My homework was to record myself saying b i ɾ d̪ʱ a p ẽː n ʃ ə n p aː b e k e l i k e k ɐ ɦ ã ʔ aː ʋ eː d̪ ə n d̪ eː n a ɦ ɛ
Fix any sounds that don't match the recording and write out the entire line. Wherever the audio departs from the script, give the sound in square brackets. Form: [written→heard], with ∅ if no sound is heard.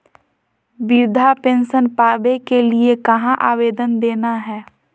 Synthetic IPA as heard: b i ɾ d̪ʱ a p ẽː n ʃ ə n p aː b e k e l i [k→∅] e k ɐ ɦ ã ʔ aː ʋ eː d̪ ə n d̪ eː n a ɦ [ɛ→ɛː]